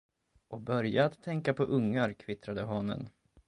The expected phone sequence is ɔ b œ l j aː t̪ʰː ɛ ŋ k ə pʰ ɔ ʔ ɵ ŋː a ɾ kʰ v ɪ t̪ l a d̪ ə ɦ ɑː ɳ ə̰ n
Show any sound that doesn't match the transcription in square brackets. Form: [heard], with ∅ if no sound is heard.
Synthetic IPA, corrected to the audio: ɔ b œ [ɾ] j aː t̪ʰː ɛ ŋ k [a] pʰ ɔ ʔ ɵ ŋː a ɾ kʰ v ɪ t̪ [ɾ] a d̪ ə ɦ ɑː [n] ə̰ n